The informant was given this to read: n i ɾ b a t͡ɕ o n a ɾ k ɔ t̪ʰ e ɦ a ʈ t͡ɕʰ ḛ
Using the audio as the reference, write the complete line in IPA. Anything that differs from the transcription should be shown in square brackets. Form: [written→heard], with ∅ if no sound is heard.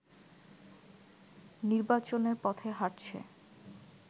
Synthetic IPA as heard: n i ɾ b a t͡ɕ o n [a→e] ɾ [k→p] ɔ t̪ʰ e ɦ a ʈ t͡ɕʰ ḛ